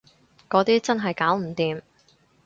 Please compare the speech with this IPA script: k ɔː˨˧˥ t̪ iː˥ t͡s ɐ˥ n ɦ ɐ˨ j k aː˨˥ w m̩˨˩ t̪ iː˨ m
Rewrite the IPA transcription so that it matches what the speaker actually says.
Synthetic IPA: k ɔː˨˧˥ t̪ iː˥ t͡s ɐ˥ n ɦ ɐ˨ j k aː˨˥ w m̩˨˩ t̪ iː˨ m